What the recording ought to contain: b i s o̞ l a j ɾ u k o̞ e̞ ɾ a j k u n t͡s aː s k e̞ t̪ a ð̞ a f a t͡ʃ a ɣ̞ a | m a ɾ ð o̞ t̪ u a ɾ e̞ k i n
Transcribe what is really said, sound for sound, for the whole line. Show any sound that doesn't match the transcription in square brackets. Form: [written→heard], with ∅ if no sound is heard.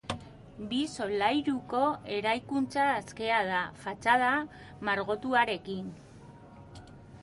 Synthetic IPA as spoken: b i s o̞ l a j ɾ u k o̞ e̞ ɾ a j k u n t͡s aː s k e̞ [t̪→∅] a ð̞ a f a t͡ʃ a [ɣ̞→ð̞] a | m a ɾ [ð→ɣ] o̞ t̪ u a ɾ e̞ k i n